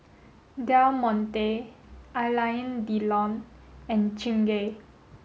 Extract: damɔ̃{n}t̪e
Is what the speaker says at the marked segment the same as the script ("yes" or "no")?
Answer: yes